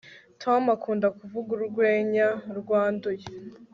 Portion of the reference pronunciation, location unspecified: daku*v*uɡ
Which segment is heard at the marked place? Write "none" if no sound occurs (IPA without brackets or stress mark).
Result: v